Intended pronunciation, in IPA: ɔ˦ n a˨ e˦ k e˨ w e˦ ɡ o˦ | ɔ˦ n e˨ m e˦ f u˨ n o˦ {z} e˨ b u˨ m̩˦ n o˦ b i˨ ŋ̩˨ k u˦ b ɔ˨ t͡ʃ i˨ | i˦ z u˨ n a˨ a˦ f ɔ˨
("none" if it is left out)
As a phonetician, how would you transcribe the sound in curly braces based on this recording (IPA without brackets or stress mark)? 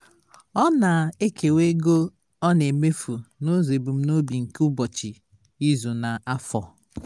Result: z